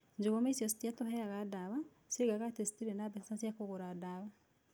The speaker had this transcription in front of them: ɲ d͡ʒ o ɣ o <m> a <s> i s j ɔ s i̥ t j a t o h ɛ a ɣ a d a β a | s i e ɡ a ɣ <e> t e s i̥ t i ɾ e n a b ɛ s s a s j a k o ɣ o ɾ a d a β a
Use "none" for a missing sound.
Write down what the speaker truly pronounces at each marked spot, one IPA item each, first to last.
m, none, a

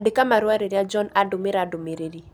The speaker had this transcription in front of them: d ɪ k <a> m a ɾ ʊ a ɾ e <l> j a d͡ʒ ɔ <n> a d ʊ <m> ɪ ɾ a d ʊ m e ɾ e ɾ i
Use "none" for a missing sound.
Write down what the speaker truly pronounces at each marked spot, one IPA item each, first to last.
a, ɾ, n, m

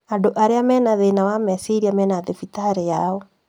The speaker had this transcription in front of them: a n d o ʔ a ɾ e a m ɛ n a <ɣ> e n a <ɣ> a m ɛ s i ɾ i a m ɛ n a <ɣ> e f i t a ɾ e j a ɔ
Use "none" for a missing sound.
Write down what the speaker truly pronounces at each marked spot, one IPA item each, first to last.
ð, w, ð

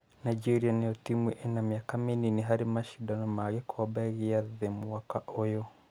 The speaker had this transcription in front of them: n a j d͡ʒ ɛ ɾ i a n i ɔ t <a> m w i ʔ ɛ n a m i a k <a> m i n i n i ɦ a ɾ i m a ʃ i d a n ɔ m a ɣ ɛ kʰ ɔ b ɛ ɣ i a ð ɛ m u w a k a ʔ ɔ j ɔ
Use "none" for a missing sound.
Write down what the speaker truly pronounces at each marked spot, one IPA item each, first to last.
i, a

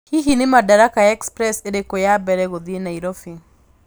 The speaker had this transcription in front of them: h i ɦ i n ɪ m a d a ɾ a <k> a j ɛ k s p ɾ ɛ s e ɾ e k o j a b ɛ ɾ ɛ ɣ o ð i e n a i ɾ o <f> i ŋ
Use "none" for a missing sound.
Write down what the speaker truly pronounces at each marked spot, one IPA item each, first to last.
k, f

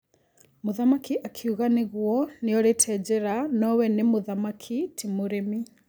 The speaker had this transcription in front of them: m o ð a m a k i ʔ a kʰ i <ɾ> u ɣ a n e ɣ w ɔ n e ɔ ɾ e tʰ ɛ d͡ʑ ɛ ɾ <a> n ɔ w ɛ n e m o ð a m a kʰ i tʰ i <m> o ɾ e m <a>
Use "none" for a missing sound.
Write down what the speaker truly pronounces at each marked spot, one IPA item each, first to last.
none, a, m, i

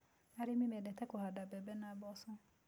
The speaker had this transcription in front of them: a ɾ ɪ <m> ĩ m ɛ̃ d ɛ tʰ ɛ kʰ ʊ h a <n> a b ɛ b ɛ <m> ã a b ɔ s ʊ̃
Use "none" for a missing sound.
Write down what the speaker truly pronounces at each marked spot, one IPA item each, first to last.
m, d, n

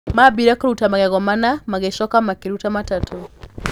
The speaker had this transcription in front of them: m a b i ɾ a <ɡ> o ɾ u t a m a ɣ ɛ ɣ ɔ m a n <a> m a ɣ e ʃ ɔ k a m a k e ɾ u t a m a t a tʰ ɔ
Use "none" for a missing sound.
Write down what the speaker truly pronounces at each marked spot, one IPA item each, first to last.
k, a

